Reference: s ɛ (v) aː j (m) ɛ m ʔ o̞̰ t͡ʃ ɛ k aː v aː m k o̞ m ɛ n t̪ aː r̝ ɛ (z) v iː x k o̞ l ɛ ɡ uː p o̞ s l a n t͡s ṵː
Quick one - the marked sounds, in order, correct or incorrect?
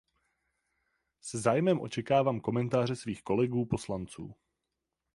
incorrect: z, correct, incorrect: s

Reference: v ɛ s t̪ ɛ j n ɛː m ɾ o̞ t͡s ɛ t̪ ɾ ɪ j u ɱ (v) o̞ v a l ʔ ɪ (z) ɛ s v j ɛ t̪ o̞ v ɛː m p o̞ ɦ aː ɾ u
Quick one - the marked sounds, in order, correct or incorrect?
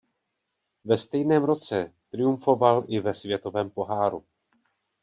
incorrect: f, incorrect: v

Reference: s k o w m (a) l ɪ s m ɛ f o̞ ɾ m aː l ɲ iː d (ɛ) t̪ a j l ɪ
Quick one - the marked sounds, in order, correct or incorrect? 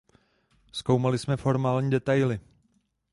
correct, correct

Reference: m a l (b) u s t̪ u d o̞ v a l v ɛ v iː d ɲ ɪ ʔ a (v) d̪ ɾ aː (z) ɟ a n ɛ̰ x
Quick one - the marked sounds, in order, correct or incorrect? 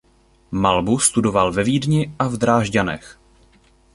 correct, correct, incorrect: ʒ

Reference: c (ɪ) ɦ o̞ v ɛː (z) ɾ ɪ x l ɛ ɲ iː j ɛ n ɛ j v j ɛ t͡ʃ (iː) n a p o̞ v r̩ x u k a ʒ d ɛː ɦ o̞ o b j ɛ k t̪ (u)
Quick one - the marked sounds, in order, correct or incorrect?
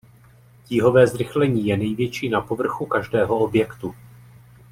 incorrect: i, correct, correct, correct

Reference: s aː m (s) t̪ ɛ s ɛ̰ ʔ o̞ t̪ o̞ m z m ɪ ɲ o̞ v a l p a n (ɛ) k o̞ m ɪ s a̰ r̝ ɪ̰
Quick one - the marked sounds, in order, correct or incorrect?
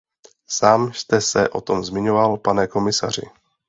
correct, correct

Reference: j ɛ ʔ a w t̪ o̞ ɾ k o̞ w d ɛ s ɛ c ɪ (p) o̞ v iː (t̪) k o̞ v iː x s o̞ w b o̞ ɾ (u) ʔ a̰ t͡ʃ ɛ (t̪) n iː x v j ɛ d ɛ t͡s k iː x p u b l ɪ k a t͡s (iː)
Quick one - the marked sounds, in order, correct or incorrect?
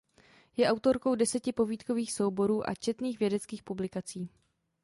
correct, correct, incorrect: uː, correct, correct

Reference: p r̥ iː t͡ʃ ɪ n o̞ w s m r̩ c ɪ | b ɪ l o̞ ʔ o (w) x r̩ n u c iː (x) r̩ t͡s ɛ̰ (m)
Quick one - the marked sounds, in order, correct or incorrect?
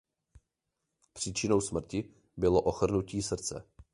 incorrect: none, incorrect: s, incorrect: none

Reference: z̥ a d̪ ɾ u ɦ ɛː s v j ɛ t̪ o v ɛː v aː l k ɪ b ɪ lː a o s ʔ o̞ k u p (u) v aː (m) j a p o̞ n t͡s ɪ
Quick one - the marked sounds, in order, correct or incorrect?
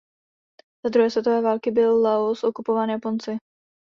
incorrect: o, incorrect: n

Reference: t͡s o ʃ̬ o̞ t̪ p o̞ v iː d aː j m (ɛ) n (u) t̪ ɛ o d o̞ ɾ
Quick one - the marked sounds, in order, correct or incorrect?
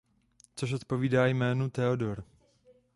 incorrect: ɛː, correct

